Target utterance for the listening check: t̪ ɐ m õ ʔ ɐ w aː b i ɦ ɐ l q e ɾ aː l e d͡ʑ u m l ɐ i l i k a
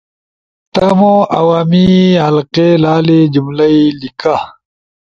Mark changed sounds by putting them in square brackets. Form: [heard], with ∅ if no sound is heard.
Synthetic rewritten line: t̪ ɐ m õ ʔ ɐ w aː [m] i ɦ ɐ l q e [l] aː l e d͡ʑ u m l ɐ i l i k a